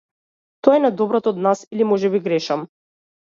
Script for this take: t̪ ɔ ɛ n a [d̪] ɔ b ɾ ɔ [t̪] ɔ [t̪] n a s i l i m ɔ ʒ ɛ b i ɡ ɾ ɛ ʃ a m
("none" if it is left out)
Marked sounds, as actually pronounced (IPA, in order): d̪, t̪, d̪

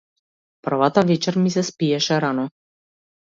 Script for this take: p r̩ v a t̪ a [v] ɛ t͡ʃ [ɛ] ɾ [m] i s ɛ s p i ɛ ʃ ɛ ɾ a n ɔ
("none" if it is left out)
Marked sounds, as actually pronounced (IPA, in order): v, ɛ, m

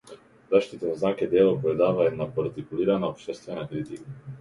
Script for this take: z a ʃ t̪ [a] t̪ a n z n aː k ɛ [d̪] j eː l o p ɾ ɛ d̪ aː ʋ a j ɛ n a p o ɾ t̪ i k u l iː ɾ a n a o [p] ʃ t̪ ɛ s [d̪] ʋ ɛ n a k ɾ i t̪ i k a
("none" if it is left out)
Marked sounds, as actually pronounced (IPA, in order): i, d̪, p, t̪

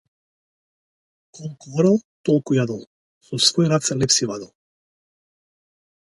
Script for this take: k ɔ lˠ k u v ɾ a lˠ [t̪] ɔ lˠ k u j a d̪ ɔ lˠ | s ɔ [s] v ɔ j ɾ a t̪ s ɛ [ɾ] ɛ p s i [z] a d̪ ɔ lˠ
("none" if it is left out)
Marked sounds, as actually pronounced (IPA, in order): t̪, s, l, v

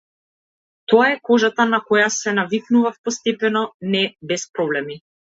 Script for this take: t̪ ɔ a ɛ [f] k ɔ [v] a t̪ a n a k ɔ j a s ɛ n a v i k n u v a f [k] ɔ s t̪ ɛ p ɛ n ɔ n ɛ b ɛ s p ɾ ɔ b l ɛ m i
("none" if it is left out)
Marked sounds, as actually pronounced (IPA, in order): none, ʒ, p

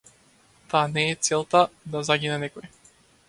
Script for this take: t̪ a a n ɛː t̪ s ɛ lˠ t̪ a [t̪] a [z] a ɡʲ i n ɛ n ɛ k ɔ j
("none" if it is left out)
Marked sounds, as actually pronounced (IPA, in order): d̪, z

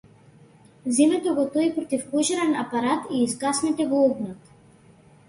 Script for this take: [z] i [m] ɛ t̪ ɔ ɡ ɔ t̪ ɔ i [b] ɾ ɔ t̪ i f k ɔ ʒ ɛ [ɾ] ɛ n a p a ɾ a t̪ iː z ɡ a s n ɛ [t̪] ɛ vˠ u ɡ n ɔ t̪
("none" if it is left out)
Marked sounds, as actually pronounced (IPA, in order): z, m, p, ɾ, t̪

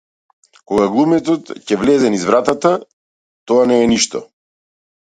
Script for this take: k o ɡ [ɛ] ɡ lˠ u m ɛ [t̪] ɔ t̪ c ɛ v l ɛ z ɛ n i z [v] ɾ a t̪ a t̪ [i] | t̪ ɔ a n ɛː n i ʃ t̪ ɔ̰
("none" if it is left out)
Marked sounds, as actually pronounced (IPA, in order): a, t̪, v, a

